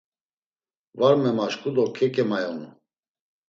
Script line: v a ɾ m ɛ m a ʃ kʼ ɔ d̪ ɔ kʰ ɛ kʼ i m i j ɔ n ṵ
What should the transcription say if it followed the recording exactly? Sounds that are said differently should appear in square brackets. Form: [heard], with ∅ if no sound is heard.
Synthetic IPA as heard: v a ɾ m ɛ m a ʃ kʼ [u] d̪ ɔ kʰ ɛ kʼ [ɛ] m [a] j ɔ n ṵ